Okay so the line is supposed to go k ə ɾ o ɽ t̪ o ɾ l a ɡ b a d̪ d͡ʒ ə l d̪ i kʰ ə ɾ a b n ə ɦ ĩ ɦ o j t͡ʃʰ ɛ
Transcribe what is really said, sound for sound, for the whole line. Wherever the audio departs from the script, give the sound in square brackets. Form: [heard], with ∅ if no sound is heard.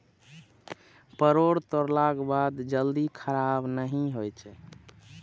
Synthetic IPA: [p] ə ɾ o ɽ t̪ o ɾ l a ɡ b a d̪ d͡ʒ ə l d̪ i kʰ ə ɾ a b n ə ɦ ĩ ɦ o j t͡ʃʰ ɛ